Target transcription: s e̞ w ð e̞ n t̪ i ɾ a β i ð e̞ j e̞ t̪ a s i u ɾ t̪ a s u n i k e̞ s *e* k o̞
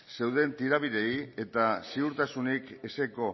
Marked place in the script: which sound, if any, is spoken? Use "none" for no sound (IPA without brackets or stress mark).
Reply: e